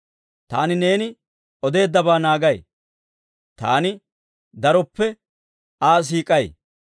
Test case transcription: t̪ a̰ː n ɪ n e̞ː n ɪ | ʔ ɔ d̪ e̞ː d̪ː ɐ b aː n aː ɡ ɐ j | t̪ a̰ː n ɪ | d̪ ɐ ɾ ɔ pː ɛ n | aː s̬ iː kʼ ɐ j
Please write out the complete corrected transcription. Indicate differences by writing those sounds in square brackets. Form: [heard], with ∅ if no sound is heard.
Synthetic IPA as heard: t̪ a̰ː n ɪ n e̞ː n ɪ | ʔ ɔ d̪ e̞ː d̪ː ɐ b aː n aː ɡ ɐ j | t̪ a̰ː n ɪ | d̪ ɐ ɾ ɔ pː ɛ [∅] | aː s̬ iː kʼ ɐ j